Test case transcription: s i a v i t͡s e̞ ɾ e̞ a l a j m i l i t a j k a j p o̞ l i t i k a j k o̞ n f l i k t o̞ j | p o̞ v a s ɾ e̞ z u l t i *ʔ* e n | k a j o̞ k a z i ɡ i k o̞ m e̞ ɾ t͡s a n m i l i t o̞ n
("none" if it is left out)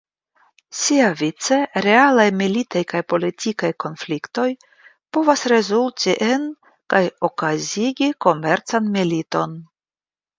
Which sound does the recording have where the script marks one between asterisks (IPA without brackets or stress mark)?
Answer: ʔ